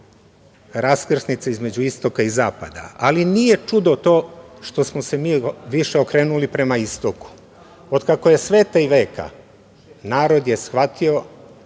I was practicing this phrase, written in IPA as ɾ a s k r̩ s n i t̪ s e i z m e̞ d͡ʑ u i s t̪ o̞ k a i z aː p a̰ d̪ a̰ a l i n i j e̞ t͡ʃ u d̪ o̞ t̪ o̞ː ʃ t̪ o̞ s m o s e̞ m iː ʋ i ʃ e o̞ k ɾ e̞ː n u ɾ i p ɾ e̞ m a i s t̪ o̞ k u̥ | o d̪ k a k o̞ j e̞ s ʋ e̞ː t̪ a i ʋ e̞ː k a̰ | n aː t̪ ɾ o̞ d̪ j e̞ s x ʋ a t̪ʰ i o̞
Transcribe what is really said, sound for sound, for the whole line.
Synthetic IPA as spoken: ɾ a s k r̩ s n i t̪ s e i z m e̞ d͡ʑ u i s t̪ o̞ k a i z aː p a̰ d̪ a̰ a l i n i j e̞ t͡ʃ u d̪ o̞ t̪ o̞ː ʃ t̪ o̞ s m o s e̞ m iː ʋ i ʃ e o̞ k ɾ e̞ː n u l i p ɾ e̞ m a i s t̪ o̞ k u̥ | o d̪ k a k o̞ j e̞ s ʋ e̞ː t̪ a i ʋ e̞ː k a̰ | n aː ɾ o̞ d̪ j e̞ s x ʋ a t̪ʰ i o̞